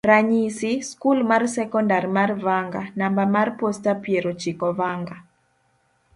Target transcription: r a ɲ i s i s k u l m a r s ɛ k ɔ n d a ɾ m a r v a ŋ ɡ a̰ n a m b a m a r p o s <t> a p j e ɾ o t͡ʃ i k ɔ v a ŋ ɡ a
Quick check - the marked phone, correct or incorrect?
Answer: correct